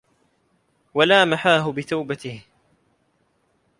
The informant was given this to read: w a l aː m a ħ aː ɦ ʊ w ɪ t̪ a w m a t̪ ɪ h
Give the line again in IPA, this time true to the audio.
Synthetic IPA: w a l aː m a ħ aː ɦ ʊ b ɪ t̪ a w b a t̪ ɪ h